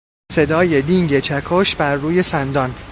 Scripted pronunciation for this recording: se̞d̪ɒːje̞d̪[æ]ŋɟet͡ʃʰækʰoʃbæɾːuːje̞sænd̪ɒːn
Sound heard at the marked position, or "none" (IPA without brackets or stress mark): i